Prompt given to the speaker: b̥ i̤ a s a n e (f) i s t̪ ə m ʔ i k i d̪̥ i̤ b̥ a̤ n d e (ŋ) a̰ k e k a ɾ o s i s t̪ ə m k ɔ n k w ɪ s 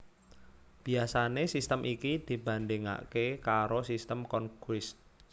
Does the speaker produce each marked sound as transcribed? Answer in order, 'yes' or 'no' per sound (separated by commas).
no, yes